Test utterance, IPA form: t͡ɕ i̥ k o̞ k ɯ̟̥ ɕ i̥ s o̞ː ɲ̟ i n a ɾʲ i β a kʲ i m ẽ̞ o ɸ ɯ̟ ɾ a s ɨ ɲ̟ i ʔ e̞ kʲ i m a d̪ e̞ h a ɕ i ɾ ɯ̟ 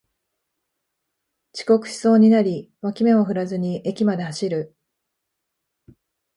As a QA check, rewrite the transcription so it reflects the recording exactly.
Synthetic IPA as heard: t͡ɕ i̥ k o̞ k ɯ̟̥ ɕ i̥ s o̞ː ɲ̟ i n a ɾʲ i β a kʲ i m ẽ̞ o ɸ ɯ̟ ɾ a z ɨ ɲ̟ i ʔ e̞ kʲ i m a d̪ e̞ h a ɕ i ɾ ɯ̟

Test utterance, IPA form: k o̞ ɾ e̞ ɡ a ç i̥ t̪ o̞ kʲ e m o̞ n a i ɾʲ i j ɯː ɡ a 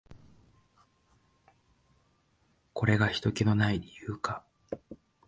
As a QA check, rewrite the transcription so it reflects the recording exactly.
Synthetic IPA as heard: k o̞ ɾ e̞ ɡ a ç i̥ t̪ o̞ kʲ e n o̞ n a i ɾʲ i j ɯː k a

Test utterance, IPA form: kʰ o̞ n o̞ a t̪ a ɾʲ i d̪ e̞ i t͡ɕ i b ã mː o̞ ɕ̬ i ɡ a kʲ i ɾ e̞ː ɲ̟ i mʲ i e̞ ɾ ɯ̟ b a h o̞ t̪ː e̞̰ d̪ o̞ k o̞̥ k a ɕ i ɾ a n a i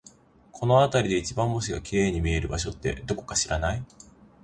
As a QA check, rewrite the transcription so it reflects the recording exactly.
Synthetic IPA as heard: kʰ o̞ n o̞ a t̪ a ɾʲ i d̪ e̞ i t͡ɕ i b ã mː o̞ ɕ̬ i ɡ a kʲ i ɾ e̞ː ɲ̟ i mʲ i e̞ ɾ ɯ̟ b a ɕ o̞ t̪ː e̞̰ d̪ o̞ k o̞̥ k a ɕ i ɾ a n a i

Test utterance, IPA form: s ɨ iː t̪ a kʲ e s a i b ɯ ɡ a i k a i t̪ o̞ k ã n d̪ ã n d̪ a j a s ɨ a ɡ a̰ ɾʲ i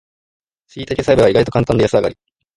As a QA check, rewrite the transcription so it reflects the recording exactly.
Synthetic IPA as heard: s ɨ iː t̪ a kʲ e s a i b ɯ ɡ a i ɡ a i t̪ o̞ k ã n t̪ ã n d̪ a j a s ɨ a ɡ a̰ ɾʲ i

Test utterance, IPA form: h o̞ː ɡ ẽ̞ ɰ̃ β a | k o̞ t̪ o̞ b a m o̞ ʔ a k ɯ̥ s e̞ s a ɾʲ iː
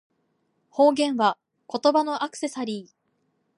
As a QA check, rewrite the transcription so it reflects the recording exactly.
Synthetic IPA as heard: h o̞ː ɡ ẽ̞ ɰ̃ β a | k o̞ t̪ o̞ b a n o̞ ʔ a k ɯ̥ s e̞ s a ɾʲ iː

